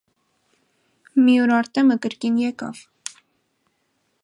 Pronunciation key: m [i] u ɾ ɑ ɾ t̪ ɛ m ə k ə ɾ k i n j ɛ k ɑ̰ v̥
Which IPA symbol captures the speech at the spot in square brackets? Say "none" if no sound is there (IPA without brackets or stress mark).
i